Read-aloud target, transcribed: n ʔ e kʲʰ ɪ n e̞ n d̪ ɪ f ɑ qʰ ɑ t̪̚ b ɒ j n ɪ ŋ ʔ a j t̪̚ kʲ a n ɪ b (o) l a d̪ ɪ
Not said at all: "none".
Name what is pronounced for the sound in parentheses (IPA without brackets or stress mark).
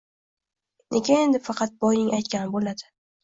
o